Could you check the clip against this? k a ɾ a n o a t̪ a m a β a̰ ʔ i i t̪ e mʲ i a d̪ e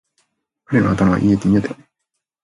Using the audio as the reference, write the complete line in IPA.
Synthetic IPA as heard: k a ɾ e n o a t̪ a m a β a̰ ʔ i e t̪ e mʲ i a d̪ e